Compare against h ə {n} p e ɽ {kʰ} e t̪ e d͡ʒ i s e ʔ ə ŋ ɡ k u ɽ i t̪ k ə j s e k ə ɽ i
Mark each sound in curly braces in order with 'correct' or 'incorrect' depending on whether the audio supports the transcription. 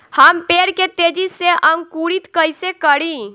incorrect, incorrect

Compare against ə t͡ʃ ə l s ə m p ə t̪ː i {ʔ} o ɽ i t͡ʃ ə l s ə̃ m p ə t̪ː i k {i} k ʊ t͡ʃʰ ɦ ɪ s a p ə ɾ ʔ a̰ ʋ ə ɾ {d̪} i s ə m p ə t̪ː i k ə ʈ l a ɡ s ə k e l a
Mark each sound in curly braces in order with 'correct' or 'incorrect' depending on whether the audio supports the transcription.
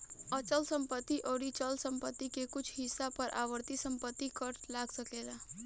correct, incorrect, incorrect

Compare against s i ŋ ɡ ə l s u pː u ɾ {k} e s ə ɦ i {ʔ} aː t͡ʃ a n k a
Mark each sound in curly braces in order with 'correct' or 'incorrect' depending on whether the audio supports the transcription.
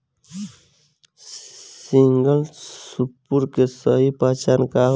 correct, incorrect

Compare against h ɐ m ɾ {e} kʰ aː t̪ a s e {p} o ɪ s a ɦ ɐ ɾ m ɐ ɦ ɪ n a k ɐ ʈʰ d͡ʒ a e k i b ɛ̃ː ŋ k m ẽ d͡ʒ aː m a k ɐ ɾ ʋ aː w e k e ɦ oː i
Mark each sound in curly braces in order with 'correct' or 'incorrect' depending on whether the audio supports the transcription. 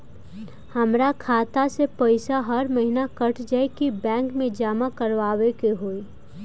incorrect, correct

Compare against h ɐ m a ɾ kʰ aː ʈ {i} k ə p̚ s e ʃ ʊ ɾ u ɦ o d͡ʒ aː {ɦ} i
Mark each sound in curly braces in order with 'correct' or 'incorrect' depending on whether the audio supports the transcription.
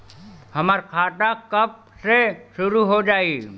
incorrect, incorrect

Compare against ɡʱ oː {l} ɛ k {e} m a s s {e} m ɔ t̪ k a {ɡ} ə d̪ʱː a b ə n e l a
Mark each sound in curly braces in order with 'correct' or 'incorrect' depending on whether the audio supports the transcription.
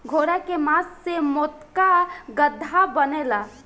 incorrect, correct, correct, correct

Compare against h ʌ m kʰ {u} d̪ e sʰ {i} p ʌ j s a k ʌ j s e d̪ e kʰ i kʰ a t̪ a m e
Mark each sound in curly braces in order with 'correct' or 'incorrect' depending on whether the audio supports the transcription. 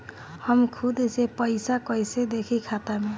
correct, incorrect

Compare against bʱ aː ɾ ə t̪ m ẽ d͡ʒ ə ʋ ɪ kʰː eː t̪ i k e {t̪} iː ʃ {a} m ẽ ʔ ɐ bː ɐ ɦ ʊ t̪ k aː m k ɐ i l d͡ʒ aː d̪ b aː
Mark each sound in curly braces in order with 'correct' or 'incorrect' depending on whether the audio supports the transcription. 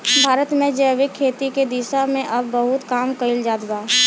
incorrect, correct

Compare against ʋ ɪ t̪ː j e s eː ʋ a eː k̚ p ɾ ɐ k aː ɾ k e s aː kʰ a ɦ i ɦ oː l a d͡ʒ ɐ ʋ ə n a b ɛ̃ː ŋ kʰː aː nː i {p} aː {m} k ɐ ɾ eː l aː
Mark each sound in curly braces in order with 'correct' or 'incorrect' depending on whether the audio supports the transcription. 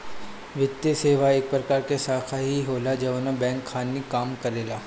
incorrect, correct

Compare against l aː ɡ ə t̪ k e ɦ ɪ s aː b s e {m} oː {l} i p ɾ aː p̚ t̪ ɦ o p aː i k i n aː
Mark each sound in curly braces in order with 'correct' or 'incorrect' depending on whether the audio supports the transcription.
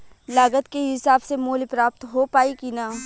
correct, correct

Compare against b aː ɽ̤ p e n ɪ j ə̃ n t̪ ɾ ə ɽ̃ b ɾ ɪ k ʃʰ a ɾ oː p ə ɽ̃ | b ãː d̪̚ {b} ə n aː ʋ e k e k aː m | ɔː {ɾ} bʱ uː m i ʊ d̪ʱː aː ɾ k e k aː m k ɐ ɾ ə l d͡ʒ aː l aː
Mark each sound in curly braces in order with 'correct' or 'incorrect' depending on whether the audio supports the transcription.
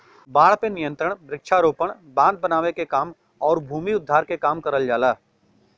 correct, correct

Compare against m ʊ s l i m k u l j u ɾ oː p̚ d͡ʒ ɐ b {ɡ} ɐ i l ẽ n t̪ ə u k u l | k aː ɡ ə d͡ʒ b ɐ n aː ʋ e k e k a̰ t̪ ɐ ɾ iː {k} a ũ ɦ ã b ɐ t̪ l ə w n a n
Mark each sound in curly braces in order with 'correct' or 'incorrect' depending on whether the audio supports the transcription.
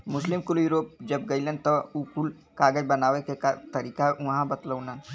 correct, correct

